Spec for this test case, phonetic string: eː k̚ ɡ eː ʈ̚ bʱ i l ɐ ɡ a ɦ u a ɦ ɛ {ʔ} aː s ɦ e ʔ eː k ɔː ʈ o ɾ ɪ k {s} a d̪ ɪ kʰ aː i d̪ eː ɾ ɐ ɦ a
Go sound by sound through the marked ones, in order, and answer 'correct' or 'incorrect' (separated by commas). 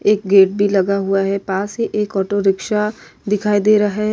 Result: incorrect, incorrect